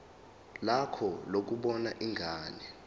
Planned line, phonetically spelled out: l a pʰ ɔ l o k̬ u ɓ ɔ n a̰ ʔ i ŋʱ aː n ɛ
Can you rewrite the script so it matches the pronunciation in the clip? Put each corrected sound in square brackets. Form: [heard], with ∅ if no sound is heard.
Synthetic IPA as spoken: l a [kʰ] ɔ l o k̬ u ɓ ɔ n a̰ ʔ i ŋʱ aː n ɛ